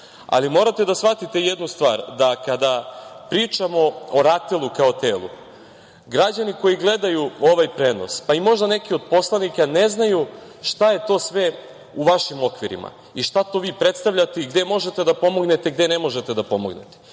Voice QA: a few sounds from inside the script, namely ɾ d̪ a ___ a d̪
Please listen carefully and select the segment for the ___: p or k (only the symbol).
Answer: k